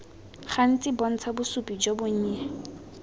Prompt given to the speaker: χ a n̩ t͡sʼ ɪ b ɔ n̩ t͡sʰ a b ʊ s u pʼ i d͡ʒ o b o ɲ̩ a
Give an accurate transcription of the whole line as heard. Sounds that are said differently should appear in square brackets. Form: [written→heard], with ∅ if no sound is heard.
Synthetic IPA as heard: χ a n̩ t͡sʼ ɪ b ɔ n̩ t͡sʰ a b ʊ s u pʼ i d͡ʒ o b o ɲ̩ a